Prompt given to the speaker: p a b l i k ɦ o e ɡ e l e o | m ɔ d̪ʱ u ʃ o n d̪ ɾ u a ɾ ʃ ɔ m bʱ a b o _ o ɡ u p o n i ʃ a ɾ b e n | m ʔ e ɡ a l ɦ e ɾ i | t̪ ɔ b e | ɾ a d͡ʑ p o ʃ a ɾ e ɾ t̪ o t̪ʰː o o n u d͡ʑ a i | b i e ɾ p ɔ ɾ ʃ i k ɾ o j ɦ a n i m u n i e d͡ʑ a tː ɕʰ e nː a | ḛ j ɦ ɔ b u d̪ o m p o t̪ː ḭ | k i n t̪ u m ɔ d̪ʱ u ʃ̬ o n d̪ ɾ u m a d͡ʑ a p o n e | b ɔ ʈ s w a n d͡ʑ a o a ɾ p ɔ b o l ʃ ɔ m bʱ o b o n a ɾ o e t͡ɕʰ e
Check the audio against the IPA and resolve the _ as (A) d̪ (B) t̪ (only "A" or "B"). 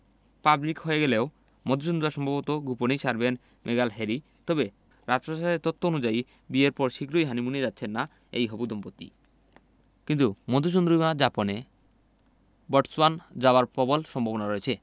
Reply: B